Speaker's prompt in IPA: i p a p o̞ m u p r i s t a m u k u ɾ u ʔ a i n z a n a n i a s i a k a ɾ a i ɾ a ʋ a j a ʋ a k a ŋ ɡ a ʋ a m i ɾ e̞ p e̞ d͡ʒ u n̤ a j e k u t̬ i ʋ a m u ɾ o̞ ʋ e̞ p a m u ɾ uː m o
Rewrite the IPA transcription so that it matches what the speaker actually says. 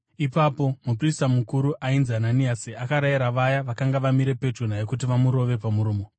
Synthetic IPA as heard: i p a p o̞ m u p r i s t a m u k u ɾ u ʔ a i n z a n a n i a s i a k a ɾ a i ɾ a ʋ a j a ʋ a k a ŋ ɡ a ʋ a m i ɾ e̞ p e̞ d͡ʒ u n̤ a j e k u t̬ i ʋ a m u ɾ o̞ ʋ e̞ p a m u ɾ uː m o

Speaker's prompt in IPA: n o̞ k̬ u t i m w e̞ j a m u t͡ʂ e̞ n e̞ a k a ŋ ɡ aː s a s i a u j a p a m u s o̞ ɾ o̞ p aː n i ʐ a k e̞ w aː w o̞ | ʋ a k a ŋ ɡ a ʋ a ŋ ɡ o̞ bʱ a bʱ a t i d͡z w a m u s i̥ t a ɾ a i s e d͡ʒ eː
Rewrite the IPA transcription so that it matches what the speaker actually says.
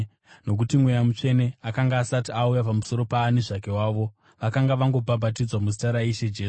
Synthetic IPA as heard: n o̞ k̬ u t i m w e̞ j a m u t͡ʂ e̞ n e̞ a k a ŋ ɡ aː s a t i a u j a p a m u s o̞ ɾ o̞ p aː n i ʐ a k e̞ w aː ʋ o̞ | ʋ a k a ŋ ɡ a ʋ a ŋ ɡ o̞ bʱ a bʱ a t i d͡z w a m u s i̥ t a ɾ a i ʃ e d͡ʒ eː

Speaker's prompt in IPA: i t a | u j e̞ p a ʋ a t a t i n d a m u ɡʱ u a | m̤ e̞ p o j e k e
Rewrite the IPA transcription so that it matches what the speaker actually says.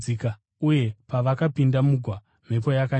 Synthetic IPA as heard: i k a | u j e̞ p a ʋ a k a p i n d a m u ɡʱ w a | m̤ e̞ p o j a k a

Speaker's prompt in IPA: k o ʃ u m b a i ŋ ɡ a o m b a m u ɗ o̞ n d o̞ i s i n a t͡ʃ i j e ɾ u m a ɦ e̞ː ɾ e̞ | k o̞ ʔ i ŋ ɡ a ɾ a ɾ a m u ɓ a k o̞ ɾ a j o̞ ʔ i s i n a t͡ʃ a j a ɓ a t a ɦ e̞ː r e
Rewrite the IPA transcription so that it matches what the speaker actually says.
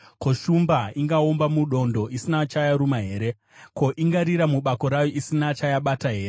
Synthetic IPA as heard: k o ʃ u m b a i ŋ ɡ a o m b a m u ɗ o̞ n d o̞ i s i n a t͡ʃ a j a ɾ u m a ɦ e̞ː ɾ e̞ | k o̞ ʔ i ŋ ɡ a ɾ i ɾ a m u ɓ a k o̞ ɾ a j o̞ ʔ i s i n a t͡ʃ a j a ɓ a t a ɦ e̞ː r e

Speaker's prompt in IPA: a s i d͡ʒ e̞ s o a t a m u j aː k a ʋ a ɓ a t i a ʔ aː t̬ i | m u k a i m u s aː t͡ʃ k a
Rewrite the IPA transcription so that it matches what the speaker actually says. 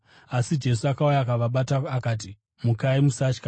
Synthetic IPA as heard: a s i d͡ʒ e̞ s u a k a u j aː k a ʋ a ɓ a t a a k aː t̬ i | m u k a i m u s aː t͡ʃ k a

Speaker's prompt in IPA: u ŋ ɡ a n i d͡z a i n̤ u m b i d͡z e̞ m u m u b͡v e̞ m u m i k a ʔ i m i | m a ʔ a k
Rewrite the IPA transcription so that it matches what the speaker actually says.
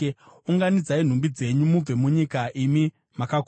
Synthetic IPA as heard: u ŋ ɡ a n i d͡z a i n̤ u m b i d͡z e̞ ɲ u m u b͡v e̞ m u ɲ i k a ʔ i m i | m a k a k

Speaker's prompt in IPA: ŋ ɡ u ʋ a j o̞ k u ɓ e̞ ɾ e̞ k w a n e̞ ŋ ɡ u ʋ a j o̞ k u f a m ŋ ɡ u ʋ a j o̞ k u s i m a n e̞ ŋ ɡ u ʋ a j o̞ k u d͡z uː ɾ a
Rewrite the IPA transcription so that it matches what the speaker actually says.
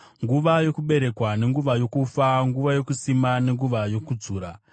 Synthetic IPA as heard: ŋ ɡ u ʋ a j o̞ k u ɓ e̞ ɾ e̞ k w a n e̞ ŋ ɡ u ʋ a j o̞ k u f a ŋ ɡ u ʋ a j o̞ k u s i m a n e̞ ŋ ɡ u ʋ a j o̞ k u d͡z uː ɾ a

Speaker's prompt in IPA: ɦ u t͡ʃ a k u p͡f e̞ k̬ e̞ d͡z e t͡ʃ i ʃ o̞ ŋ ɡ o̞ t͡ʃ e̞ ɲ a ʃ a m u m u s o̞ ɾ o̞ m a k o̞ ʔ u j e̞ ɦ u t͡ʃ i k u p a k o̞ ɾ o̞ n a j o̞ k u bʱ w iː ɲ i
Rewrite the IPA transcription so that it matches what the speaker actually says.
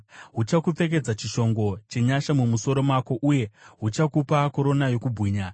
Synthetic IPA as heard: ɦ u t͡ʃ a k u p͡f e̞ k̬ e̞ d͡z a t͡ʃ i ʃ o̞ ŋ ɡ o̞ t͡ʃ e̞ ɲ a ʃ a m u m u s o̞ ɾ o̞ m a k o̞ ʔ u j e̞ ɦ u t͡ʃ a k u p a k o̞ ɾ o̞ n a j o̞ k u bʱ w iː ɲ a

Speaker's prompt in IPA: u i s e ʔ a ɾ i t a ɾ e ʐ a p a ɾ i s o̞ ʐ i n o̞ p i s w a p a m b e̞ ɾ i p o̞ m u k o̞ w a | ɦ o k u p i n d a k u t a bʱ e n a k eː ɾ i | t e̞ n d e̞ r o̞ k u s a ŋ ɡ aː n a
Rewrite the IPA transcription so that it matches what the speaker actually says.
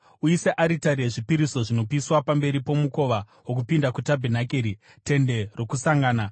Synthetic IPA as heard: u i s e ʔ a ɾ i t a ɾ e ʐ i p i ɾ i s o̞ ʐ i n o̞ p i s w a p a m b e̞ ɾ i p o̞ m u k o̞ ʋ a | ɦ o k u p i n d a k u t a bʱ e n a k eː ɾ i | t e̞ n d e̞ r o̞ k u s a ŋ ɡ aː n a

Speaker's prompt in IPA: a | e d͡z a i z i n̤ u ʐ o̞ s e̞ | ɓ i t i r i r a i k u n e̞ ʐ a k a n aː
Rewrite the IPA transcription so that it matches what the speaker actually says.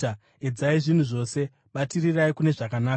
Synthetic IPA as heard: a | e d͡z a i ʐ i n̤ u ʐ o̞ s e̞ | ɓ a t i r i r a i k u n e̞ ʐ a k a n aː

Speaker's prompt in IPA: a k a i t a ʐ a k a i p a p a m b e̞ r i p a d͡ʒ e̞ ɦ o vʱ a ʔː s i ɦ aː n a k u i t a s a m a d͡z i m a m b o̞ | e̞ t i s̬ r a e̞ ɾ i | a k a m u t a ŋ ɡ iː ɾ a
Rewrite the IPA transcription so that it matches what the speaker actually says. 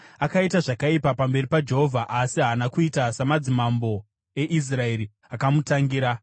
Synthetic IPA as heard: a k a i t a ʐ a k a i p a p a m b e̞ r i p a d͡ʒ e̞ ɦ o vʱ a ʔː s i ɦ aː n a k u i t a s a m a d͡z i m a m b o̞ | e̞ ʔ i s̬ r a e̞ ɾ i | a k a m u t a ŋ ɡ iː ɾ a

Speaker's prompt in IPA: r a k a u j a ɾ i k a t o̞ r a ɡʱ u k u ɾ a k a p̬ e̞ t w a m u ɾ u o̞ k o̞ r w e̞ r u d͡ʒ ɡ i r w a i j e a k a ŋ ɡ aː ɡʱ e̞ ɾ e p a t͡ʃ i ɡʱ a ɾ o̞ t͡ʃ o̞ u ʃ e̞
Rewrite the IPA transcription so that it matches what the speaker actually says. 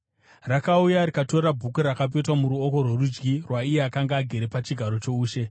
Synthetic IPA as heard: r a k a u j a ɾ i k a t o̞ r a bʱ u k u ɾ a k a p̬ e̞ t w a m u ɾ u o̞ k o̞ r w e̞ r u d͡ʒ ɡ i r w a i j e a k a ŋ ɡ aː ɡʱ e̞ ɾ e p a t͡ʃ i ɡʱ a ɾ o̞ t͡ʃ o̞ uː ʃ e̞

